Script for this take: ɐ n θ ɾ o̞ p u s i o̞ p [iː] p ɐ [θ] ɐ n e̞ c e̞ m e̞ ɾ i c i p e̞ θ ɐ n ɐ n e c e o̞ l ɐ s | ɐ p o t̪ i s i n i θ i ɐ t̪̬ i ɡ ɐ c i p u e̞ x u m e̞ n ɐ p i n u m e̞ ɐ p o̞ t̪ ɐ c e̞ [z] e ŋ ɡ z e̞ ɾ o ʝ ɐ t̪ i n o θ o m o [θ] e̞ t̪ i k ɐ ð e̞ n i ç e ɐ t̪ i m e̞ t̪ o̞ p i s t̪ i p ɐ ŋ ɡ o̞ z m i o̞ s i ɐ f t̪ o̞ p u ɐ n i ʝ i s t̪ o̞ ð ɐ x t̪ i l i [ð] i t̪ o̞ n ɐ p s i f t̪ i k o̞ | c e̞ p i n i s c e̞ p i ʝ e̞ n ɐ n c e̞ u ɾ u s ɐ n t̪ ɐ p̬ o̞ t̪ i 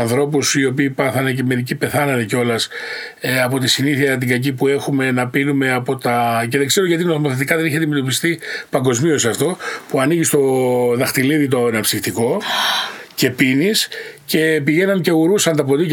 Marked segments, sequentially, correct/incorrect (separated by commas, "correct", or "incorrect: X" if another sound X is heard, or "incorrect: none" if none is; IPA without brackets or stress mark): correct, correct, incorrect: ð, correct, correct